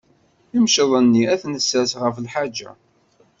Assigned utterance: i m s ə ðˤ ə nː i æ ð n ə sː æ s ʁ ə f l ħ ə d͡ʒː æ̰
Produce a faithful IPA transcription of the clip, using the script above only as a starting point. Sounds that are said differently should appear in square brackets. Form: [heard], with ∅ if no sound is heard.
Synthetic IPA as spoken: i m [ʃ] ə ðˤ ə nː i æ [θ] n ə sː æ s ʁ ə f l ħ [a] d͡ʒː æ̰